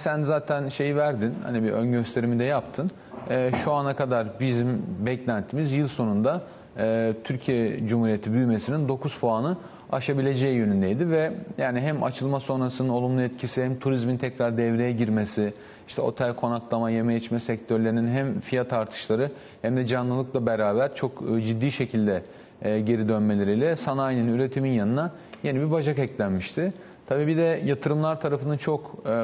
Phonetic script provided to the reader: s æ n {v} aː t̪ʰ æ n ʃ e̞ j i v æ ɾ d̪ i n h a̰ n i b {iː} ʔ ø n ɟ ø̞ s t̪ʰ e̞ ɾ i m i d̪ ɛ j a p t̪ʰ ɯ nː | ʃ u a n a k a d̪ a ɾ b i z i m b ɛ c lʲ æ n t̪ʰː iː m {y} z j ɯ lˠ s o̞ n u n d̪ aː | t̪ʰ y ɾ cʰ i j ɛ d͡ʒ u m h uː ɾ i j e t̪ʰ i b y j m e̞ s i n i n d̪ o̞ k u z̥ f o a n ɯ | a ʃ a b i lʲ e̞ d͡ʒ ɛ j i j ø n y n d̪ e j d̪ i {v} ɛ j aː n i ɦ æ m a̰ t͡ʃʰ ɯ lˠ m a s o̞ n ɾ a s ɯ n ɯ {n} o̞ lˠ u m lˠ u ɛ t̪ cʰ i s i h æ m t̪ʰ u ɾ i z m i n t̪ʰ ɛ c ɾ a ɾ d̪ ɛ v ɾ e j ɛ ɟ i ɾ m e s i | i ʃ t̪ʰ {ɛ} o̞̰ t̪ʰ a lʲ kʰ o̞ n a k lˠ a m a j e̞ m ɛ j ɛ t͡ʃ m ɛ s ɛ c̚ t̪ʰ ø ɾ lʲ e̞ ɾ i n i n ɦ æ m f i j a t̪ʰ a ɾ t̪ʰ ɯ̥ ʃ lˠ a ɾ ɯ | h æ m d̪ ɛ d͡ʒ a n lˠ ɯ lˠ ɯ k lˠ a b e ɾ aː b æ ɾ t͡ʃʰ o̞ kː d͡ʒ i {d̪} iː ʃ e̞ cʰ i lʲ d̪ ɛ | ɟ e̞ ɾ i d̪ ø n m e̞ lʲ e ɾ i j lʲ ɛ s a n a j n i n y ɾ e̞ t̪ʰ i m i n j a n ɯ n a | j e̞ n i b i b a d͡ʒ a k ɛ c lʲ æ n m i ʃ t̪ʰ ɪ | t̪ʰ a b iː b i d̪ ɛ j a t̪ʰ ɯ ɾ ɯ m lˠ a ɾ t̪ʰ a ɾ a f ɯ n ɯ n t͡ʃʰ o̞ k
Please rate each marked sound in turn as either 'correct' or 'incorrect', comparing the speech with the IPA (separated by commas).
incorrect, incorrect, incorrect, correct, correct, correct, incorrect